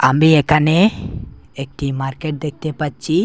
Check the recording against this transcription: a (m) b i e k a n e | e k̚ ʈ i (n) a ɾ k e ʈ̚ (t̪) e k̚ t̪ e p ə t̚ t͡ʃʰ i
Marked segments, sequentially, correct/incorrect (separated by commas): correct, incorrect, incorrect